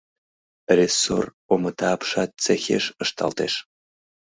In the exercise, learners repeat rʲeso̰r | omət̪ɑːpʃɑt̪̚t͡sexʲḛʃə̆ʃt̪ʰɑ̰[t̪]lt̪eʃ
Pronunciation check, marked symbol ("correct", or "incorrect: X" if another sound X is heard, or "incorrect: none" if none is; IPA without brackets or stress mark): incorrect: none